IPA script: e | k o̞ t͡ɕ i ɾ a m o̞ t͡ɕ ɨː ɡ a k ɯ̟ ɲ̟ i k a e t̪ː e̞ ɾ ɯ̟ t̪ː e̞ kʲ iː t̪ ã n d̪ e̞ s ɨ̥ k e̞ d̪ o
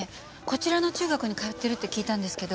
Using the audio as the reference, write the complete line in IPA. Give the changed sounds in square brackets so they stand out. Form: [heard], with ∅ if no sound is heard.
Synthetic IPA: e | k o̞ t͡ɕ i ɾ a [n] o̞ t͡ɕ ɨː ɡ a k ɯ̟ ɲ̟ i k a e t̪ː e̞ ɾ ɯ̟ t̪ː e̞ kʲ iː t̪ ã n d̪ e̞ s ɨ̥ k e̞ d̪ o